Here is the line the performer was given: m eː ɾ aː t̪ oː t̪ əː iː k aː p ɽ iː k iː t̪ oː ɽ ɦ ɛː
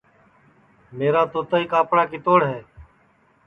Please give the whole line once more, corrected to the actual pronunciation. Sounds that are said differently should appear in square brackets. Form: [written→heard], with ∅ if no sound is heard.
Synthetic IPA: m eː ɾ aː t̪ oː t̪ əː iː k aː p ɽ [iː→aː] k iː t̪ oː ɽ ɦ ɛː